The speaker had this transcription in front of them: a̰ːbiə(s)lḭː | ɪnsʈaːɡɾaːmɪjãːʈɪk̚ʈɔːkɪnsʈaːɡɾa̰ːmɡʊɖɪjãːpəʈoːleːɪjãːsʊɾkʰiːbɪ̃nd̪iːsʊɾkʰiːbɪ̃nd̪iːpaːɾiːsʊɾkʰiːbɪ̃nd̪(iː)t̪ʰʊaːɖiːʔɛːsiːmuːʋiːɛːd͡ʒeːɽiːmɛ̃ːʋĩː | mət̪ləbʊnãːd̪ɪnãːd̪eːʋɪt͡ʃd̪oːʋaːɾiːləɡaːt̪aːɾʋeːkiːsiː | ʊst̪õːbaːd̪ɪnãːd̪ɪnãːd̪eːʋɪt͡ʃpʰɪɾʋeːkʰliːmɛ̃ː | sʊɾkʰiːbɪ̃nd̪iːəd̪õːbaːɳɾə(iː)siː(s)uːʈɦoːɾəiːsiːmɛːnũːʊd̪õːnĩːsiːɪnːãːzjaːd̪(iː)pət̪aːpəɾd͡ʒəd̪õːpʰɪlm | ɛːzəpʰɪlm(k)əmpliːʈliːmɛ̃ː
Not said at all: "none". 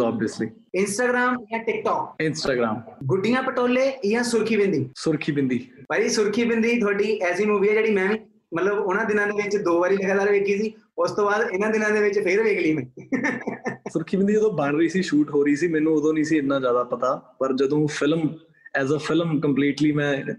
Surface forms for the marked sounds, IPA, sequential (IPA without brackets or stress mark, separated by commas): s, iː, iː, ʃ, aː, k